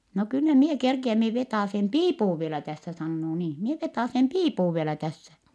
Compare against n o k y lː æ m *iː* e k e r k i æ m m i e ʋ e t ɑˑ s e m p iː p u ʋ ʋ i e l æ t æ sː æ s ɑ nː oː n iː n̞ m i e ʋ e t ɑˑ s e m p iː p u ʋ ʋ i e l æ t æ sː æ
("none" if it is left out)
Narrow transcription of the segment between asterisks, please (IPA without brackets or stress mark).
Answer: i